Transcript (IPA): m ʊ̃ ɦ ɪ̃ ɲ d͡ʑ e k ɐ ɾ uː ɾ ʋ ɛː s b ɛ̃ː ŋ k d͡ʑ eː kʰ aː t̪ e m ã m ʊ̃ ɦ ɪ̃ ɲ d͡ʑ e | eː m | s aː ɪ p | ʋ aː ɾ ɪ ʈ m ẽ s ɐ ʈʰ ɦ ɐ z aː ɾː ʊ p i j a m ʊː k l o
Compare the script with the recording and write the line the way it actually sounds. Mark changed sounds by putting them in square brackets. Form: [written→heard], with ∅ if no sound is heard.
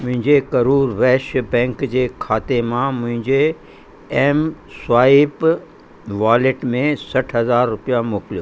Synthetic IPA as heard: m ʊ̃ ɦ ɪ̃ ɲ d͡ʑ e k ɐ ɾ uː ɾ ʋ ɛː [s→ʃ] b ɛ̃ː ŋ k d͡ʑ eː kʰ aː t̪ e m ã m ʊ̃ ɦ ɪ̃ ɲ d͡ʑ e | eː m | s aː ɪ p | ʋ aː [ɾ→l] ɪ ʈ m ẽ s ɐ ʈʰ ɦ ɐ z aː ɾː ʊ p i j a m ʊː k l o

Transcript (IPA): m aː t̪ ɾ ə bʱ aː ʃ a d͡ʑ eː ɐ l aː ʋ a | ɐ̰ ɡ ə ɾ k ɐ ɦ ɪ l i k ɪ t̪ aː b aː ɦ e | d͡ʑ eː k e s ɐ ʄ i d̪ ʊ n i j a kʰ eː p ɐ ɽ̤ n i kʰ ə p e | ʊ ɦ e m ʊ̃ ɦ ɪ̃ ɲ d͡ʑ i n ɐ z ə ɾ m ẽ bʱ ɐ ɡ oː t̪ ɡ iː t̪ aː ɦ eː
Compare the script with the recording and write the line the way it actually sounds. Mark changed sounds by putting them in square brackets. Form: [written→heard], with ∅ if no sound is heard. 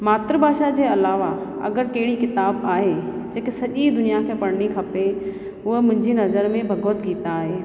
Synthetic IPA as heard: m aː t̪ ɾ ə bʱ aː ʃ a d͡ʑ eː ɐ l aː ʋ a | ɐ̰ ɡ ə ɾ k ɐ ɦ ɪ [l→ɽ] i k ɪ t̪ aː b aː ɦ e | d͡ʑ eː k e s ɐ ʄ i d̪ ʊ n i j a kʰ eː p ɐ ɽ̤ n i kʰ [ə→ɐ] p e | ʊ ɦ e m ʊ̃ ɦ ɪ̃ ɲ d͡ʑ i n ɐ z ə ɾ m ẽ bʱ ɐ ɡ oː t̪ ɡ iː t̪ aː ɦ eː

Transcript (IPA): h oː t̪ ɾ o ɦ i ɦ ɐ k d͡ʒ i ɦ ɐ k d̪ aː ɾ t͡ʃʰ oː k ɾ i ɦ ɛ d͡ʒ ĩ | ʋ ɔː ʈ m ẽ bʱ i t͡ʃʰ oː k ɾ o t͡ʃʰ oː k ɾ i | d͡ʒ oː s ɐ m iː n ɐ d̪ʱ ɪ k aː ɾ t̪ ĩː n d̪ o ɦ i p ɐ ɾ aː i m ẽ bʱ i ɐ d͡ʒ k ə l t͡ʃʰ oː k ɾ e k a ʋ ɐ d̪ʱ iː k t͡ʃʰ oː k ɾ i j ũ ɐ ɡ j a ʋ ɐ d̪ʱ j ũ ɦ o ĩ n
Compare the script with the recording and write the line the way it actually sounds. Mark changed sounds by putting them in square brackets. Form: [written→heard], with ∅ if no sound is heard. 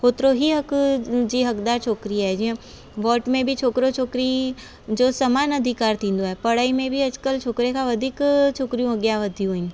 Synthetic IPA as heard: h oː t̪ ɾ o ɦ i ɦ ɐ k d͡ʒ i ɦ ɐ k d̪ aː ɾ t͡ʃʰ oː k ɾ i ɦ ɛ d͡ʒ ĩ | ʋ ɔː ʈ m ẽ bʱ i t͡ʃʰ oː k ɾ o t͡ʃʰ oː k ɾ i | d͡ʒ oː s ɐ m [iː→aː] n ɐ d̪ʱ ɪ k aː ɾ t̪ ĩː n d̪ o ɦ [i→ɛ] p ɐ [ɾ→ɽ] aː i m ẽ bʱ i ɐ d͡ʒ k ə l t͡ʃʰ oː k ɾ e k a ʋ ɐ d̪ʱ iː k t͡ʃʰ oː k ɾ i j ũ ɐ ɡ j a ʋ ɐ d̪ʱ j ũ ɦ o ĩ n

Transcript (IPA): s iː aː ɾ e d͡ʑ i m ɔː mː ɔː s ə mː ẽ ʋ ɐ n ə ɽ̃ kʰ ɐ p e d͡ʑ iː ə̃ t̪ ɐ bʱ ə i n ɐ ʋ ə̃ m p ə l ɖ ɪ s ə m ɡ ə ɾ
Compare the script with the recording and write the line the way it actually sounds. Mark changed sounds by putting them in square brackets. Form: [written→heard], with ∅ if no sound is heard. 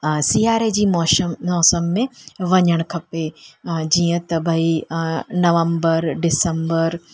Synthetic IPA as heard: s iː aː ɾ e d͡ʑ [i→iː] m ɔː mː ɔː s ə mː ẽ ʋ ɐ [n→ɲ] ə ɽ̃ kʰ ɐ p e d͡ʑ iː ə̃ t̪ ɐ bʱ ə i n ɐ ʋ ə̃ m [p→b] ə [l→ɾ] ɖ ɪ s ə m [ɡ→b] ə ɾ

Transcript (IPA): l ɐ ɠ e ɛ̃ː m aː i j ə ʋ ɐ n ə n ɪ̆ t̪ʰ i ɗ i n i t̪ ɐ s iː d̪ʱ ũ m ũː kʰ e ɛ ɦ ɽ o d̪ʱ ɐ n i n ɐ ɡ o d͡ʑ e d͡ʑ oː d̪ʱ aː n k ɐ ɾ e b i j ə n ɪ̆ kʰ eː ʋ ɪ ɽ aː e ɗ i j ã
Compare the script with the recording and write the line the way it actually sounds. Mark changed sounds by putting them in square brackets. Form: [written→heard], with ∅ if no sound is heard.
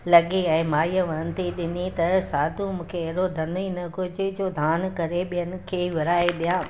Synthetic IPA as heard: l ɐ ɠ e ɛ̃ː m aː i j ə ʋ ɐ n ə n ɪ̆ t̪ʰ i ɗ [i→ɪ] n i t̪ ɐ s [iː→aː] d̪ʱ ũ m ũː kʰ e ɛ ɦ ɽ o d̪ʱ ɐ n i n ɐ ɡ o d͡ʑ e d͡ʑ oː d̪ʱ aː n k ɐ ɾ e [b→ɓ] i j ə n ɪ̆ kʰ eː ʋ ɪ [ɽ→ɾ] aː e ɗ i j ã

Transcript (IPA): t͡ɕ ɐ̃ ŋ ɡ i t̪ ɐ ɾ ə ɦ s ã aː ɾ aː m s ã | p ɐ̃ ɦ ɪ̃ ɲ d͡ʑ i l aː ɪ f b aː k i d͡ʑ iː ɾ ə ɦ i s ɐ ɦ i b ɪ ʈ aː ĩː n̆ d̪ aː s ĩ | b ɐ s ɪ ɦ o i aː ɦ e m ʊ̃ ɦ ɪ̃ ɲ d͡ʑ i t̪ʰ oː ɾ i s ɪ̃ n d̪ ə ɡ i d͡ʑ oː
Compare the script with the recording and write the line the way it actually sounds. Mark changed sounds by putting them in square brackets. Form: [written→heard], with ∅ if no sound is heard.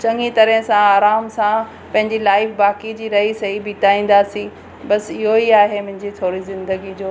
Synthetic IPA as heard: t͡ɕ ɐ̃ ŋ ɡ i t̪ ɐ ɾ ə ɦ s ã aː ɾ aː m s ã | p ɐ̃ ɦ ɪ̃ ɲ d͡ʑ i l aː ɪ f b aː k i d͡ʑ iː ɾ [ə→ɐ] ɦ i s ɐ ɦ i b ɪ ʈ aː ĩː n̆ d̪ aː s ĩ | b ɐ s ɪ ɦ o i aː ɦ e m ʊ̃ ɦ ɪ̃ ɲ d͡ʑ i t̪ʰ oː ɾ i [s→z] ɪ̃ n d̪ ə ɡ i d͡ʑ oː

